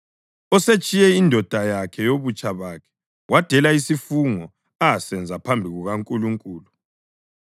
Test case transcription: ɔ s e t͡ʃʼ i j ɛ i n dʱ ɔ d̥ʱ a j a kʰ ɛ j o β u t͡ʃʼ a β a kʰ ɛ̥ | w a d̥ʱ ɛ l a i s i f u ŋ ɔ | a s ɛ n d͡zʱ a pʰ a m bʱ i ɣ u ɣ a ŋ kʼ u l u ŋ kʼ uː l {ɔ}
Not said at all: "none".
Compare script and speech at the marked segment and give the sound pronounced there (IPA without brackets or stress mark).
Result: u